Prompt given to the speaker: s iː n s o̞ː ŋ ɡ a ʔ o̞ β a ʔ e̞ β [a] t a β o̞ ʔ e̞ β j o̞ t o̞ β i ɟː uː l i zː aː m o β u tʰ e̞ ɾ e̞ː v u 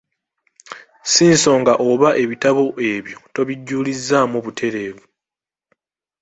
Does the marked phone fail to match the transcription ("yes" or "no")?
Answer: yes